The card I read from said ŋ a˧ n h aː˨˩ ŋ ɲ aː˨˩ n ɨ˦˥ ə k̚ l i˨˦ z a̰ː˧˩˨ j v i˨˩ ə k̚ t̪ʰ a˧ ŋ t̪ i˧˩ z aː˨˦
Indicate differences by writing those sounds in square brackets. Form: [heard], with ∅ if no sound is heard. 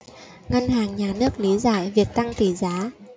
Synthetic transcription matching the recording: ŋ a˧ n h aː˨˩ ŋ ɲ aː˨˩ n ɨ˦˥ ə k̚ l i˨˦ z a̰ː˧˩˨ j v i˨˩ ə k̚ [t̪] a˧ ŋ t̪ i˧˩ z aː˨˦